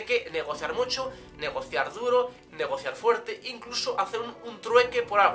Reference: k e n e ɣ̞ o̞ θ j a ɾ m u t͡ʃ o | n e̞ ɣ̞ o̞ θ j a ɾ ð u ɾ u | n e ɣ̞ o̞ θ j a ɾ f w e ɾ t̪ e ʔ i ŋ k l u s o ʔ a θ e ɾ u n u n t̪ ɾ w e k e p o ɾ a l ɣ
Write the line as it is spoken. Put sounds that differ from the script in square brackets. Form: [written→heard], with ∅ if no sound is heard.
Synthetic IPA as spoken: k e n e ɣ̞ o̞ θ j a ɾ m u t͡ʃ o | n e̞ ɣ̞ o̞ θ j a ɾ ð u ɾ [u→o] | n e ɣ̞ o̞ θ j a ɾ f w e ɾ t̪ e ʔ i ŋ k l u s o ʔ a θ e ɾ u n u n t̪ ɾ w e k e p o ɾ a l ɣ

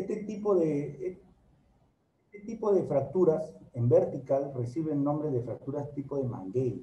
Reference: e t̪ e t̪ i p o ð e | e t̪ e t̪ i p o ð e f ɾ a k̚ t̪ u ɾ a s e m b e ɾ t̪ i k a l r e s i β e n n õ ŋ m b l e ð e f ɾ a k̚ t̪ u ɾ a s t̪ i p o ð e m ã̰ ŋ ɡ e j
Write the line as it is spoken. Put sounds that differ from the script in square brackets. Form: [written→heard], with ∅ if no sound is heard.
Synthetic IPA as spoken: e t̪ e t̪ i p o ð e | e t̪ e t̪ i p o ð e f ɾ a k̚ t̪ u ɾ a s e m b e ɾ t̪ i k a l r e s i β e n n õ [ŋ→∅] m b [l→ɾ] e ð e f ɾ a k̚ t̪ u ɾ a s t̪ i p o ð e m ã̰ ŋ ɡ e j

